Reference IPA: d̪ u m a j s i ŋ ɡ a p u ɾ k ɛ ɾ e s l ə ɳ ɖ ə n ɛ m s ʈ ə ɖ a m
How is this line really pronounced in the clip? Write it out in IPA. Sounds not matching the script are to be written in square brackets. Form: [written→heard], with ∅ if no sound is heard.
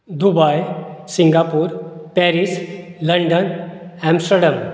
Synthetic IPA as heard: d̪ u [m→b] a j s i ŋ ɡ a p u ɾ [k→p] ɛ ɾ [e→i] s l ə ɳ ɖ ə n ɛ m s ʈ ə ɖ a m

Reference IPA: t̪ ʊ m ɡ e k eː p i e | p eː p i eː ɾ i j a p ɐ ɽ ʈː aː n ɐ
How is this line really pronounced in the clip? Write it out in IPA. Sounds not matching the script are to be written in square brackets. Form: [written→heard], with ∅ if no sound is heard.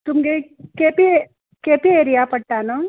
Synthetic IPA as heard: t̪ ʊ m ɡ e k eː p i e | [p→k] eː p i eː ɾ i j a p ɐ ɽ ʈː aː n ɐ

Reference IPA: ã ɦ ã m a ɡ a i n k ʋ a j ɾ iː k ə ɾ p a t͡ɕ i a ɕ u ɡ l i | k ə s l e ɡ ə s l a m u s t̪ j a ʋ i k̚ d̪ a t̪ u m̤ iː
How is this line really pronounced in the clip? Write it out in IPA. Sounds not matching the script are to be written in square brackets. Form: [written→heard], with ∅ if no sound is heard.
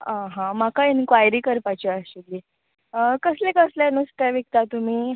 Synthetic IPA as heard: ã ɦ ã m a [ɡ→k] a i n k ʋ a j ɾ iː k ə ɾ p a t͡ɕ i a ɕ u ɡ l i | k ə s l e [ɡ→k] ə s l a [m→n] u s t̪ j a ʋ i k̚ [d̪→t̪] a t̪ u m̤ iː

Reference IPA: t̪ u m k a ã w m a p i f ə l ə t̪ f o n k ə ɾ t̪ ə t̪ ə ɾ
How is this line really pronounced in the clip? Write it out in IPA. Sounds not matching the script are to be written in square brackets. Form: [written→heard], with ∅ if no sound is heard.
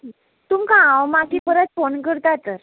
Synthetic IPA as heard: t̪ u m k a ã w m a [p→k] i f ə [l→ɾ] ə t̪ f o n k ə ɾ t̪ [ə→a] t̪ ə ɾ

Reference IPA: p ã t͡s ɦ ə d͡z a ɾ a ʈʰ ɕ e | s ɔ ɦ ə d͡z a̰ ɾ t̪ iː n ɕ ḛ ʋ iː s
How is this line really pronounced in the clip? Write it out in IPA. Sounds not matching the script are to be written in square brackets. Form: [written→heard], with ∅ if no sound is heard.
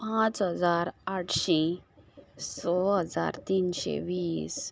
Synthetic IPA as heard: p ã t͡s ɦ ə d͡z a ɾ a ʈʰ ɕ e | s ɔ ɦ ə d͡z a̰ ɾ t̪ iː n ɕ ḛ ʋ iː s

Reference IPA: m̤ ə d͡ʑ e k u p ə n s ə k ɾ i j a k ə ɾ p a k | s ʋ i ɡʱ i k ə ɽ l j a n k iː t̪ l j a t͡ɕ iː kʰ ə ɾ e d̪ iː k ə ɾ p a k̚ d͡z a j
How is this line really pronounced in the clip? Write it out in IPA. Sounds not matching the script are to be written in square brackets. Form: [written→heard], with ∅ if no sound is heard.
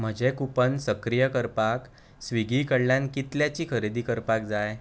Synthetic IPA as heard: m̤ ə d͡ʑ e k u p ə n s ə k ɾ i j [a→ə] k ə ɾ p a k | s ʋ i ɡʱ i k ə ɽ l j a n k [iː→i] t̪ l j a t͡ɕ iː kʰ ə ɾ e d̪ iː k ə ɾ p a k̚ d͡z a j

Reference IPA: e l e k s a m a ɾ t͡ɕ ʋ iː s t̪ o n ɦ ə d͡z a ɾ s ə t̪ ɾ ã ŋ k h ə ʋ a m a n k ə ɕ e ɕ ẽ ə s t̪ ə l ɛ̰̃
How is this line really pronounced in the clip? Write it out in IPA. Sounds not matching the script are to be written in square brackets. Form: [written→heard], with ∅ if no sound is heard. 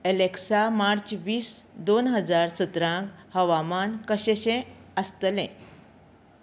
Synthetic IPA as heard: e l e k s a m a ɾ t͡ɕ ʋ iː s [t̪→d̪] o n ɦ ə d͡z a ɾ s ə t̪ ɾ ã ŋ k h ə ʋ a m a n k ə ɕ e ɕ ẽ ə s t̪ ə l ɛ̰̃

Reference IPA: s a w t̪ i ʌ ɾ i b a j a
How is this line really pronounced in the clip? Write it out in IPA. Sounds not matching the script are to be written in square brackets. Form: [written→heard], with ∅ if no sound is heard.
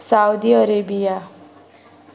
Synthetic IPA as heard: s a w [t̪→d̪] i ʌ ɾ [i→e] b [a→i] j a

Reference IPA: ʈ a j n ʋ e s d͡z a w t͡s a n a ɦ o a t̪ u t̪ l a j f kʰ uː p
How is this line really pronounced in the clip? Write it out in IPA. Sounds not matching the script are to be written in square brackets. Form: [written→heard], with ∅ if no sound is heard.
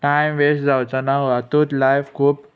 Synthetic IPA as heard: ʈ a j [n→m] ʋ e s d͡z a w t͡s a n a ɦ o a t̪ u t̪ l a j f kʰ uː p

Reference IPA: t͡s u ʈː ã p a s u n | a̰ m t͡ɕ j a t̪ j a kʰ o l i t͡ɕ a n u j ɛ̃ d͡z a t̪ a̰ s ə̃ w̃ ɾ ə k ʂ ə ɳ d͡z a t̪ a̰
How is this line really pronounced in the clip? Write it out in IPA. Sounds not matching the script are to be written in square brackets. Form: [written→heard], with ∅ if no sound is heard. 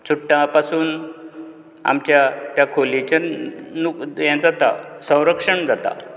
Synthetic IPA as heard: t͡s u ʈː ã p a s [u→uː] n | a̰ m t͡ɕ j a t̪ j a kʰ o l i t͡ɕ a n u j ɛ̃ d͡z a t̪ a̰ s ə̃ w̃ ɾ ə k ʂ ə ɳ d͡z a t̪ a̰

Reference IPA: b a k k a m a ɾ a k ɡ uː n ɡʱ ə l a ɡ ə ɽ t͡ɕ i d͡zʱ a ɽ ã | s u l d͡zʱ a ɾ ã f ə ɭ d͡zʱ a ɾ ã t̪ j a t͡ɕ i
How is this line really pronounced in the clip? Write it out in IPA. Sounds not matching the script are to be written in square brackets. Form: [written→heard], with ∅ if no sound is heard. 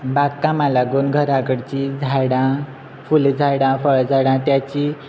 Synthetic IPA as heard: b a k k a m a [ɾ→l] a [k→∅] ɡ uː n ɡʱ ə [l→ɾ] a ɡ ə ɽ t͡ɕ i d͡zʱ a ɽ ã | [s→f] u l d͡zʱ a [ɾ→ɽ] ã f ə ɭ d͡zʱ a [ɾ→ɽ] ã t̪ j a t͡ɕ i

